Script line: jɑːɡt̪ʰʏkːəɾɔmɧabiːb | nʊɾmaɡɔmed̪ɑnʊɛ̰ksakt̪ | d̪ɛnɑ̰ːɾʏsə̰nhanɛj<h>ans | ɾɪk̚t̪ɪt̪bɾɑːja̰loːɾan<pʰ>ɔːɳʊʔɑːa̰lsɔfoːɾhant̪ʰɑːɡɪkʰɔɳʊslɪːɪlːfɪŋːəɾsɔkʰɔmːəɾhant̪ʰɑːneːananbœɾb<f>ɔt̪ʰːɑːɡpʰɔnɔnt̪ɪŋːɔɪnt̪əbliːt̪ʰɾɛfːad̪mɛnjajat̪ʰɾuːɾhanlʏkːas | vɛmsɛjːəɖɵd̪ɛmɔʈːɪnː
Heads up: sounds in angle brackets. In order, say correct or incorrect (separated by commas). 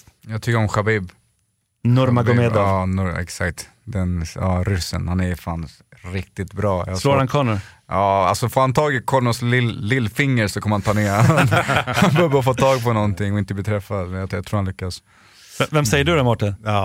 incorrect, incorrect, correct